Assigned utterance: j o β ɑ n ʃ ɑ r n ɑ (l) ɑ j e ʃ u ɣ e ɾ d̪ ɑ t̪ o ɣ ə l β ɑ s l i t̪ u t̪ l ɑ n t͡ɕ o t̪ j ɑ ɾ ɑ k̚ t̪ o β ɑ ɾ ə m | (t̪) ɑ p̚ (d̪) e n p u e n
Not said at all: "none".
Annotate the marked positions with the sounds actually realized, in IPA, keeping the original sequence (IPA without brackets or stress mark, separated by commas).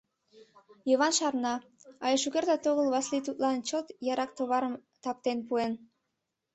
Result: none, t̪, t̪